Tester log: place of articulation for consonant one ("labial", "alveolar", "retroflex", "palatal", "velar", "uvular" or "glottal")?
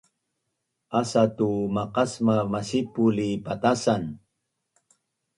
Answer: alveolar